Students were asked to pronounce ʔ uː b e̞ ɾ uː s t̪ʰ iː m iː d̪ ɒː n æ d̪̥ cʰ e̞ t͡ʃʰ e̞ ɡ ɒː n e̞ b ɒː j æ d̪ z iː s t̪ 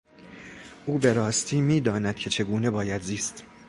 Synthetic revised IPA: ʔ uː b e̞ ɾ ɒː s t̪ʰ iː m iː d̪ ɒː n æ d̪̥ cʰ e̞ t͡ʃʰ e̞ ɡ uː n e̞ b ɒː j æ d̪ z iː s t̪